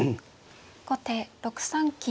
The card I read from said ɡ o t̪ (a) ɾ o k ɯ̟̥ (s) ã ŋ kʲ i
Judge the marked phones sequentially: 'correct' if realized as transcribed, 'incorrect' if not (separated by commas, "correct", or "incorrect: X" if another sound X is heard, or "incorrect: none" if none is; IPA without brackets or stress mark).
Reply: incorrect: e, correct